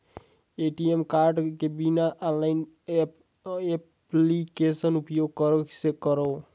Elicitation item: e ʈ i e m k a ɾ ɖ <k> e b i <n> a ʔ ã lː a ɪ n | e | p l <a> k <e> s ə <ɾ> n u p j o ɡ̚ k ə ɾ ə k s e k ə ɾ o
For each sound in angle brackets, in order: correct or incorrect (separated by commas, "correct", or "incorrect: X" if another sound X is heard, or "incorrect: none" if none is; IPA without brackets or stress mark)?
correct, correct, incorrect: i, correct, incorrect: none